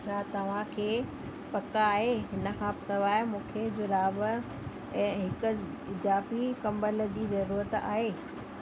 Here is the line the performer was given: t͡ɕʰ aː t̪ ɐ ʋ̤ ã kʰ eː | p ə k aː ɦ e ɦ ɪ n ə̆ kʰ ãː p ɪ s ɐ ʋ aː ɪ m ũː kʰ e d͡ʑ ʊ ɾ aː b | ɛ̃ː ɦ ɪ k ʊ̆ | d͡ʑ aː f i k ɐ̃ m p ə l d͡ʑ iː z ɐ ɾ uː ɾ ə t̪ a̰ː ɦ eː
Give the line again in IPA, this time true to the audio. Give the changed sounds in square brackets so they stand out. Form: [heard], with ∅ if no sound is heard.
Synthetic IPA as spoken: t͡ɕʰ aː t̪ ɐ ʋ̤ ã kʰ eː | p [ɐ] k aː ɦ e ɦ ɪ n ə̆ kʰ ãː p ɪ s ɐ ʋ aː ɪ m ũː kʰ e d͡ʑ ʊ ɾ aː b | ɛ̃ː ɦ ɪ k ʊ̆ | d͡ʑ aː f i k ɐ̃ m [b] ə l d͡ʑ iː z ɐ ɾ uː ɾ ə t̪ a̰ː ɦ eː